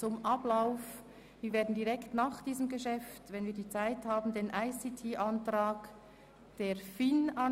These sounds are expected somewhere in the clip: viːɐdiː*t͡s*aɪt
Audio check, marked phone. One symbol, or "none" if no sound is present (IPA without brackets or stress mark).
t͡s